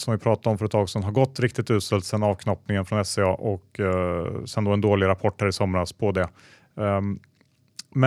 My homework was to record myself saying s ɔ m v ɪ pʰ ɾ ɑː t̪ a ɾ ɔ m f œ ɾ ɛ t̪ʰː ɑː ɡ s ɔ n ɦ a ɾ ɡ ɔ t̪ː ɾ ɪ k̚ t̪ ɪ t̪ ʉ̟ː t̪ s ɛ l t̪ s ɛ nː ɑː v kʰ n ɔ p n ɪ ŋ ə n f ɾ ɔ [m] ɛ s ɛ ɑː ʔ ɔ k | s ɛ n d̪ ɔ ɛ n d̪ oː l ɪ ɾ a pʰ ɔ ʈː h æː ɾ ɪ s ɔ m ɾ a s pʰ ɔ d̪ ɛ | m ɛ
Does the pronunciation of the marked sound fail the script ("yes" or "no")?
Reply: yes